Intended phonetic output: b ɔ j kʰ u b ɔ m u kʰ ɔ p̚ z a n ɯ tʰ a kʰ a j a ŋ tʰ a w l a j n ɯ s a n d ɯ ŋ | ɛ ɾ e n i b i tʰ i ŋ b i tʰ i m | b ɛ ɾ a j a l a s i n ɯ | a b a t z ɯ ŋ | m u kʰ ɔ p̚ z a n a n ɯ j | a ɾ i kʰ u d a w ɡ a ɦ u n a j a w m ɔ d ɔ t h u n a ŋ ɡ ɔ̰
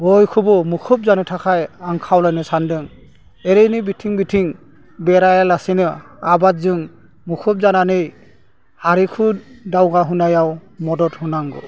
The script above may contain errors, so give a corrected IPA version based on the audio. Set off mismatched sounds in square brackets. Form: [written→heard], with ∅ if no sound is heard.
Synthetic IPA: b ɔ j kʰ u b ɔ m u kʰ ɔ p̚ z a n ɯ tʰ a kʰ a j a ŋ [tʰ→kʰ] a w l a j n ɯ s a n d ɯ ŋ | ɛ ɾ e n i b i tʰ i ŋ b i tʰ i [m→ŋ] | b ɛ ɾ a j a l a s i n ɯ | a b a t z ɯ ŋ | m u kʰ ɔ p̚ z a n a n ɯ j | a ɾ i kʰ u d a w ɡ a ɦ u n a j a w m ɔ d ɔ t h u n a ŋ ɡ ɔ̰